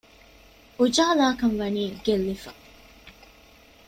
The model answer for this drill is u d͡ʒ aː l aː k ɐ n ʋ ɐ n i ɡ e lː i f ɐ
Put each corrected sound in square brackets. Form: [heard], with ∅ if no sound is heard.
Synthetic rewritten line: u d͡ʒ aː l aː k ɐ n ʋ ɐ n [iː] ɡ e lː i f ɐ